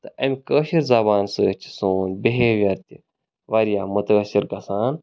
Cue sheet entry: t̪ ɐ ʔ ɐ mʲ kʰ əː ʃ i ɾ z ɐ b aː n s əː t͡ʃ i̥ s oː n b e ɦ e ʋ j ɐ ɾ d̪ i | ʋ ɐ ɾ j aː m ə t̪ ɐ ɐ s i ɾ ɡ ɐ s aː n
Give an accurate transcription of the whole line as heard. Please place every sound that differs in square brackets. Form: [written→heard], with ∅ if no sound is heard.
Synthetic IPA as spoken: t̪ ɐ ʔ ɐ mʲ [kʰ→k] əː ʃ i ɾ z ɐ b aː n s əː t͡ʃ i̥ s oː n b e ɦ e ʋ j ɐ ɾ [d̪→t̪] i | ʋ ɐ ɾ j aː m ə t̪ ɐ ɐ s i ɾ ɡ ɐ s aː n